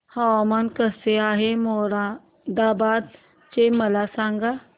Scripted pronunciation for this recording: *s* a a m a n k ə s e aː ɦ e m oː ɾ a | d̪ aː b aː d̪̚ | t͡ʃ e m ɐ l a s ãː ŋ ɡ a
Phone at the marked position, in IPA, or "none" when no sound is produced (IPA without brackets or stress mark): h